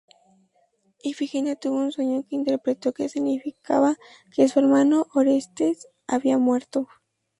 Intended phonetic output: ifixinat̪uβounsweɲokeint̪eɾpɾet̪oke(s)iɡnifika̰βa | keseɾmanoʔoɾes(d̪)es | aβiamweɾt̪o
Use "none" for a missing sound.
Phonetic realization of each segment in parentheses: s, t̪

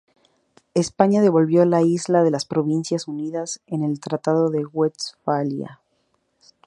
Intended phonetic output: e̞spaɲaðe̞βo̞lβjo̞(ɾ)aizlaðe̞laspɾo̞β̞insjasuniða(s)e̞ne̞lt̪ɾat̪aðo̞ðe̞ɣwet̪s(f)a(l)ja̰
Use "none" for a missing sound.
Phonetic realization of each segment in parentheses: l, s, f, l

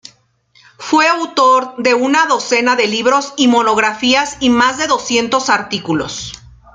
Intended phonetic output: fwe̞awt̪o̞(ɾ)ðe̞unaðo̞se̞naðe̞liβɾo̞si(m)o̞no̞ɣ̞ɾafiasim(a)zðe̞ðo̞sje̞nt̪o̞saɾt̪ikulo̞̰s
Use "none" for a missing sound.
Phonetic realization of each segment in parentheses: ɾ, m, a

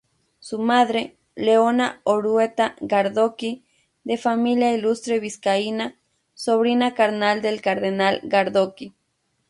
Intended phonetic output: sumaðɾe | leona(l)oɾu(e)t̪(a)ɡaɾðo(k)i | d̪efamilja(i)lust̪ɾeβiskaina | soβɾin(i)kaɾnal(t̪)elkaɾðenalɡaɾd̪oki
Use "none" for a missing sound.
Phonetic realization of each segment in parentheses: none, e, a, k, i, a, d̪

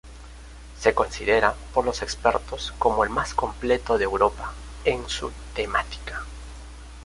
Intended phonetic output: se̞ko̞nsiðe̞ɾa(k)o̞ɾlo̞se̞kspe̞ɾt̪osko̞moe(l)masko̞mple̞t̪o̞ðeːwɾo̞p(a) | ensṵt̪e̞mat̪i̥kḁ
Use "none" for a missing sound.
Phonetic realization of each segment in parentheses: p, l, a

